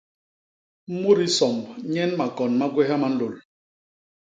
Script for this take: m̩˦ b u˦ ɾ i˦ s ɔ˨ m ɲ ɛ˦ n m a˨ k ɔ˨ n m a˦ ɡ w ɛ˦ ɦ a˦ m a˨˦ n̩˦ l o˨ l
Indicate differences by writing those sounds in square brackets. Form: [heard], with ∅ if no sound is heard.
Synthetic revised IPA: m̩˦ [m] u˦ ɾ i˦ s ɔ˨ m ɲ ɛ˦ n m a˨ k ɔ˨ n m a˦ ɡ w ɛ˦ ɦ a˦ m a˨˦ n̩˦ l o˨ l